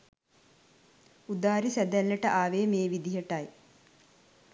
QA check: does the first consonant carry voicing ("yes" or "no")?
yes